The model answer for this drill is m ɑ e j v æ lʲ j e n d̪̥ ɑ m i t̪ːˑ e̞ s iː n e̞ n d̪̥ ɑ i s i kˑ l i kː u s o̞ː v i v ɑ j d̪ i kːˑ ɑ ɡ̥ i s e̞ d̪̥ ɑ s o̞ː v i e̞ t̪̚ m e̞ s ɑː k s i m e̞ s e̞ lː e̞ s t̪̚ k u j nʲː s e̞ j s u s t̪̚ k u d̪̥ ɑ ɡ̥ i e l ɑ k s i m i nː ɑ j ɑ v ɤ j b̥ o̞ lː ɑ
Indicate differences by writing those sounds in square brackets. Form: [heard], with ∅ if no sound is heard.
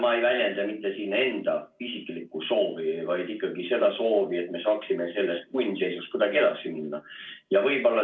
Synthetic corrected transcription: m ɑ e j v æ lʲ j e n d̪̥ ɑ m i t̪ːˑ e̞ s iː n e̞ n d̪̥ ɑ i s i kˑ l i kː u s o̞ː v i v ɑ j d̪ i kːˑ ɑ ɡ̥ i s e̞ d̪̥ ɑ s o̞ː v i e̞ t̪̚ m e̞ s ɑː k s i m e̞ s e̞ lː e̞ s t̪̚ k u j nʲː s e̞ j s u s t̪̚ k u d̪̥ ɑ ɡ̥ i e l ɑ k s i m i nː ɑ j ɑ v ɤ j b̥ o̞ lː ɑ

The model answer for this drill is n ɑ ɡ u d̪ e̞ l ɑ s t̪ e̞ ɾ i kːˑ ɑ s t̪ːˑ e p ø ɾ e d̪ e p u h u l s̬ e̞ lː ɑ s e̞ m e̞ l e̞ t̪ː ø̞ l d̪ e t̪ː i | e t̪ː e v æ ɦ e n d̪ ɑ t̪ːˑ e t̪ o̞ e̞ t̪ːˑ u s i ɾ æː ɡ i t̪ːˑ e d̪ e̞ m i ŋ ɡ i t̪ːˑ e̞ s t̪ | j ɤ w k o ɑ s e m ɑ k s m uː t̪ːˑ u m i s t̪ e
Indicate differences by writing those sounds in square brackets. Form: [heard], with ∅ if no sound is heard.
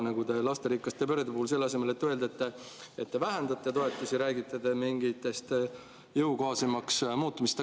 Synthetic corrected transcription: n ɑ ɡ u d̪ e̞ l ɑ s t̪ e̞ ɾ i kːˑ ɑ s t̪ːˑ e p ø ɾ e d̪ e p u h u l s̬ e̞ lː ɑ s e̞ m e̞ l e̞ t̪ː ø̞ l d̪ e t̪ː [e] | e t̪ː e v æ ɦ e n d̪ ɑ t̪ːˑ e t̪ o̞ e̞ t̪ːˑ u s i ɾ æː ɡ i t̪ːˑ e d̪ e̞ m i ŋ ɡ i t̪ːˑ e̞ s t̪ | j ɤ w k o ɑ s e m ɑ k s m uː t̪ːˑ u m i s t̪ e

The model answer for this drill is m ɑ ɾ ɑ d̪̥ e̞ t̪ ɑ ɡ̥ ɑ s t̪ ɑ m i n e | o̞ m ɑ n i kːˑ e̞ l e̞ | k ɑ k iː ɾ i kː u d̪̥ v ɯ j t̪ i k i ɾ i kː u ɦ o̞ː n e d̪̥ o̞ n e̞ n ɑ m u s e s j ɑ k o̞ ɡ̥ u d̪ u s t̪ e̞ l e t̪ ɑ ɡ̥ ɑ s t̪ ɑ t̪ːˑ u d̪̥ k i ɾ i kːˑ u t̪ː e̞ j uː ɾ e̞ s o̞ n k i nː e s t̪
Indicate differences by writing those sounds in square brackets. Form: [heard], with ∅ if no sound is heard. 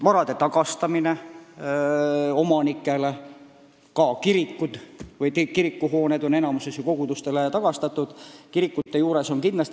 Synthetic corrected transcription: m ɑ ɾ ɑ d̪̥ e̞ t̪ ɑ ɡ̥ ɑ s t̪ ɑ m i n e | o̞ m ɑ n i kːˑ e̞ l e̞ | k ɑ k [i] ɾ i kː u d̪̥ v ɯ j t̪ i k i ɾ i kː u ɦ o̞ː n e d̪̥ o̞ n e̞ n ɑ m u s e s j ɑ k o̞ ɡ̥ u d̪ u s t̪ e̞ l e t̪ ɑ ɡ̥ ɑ s t̪ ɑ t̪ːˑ u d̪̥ k i ɾ i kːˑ u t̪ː e̞ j uː ɾ e̞ s o̞ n k i nː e s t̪

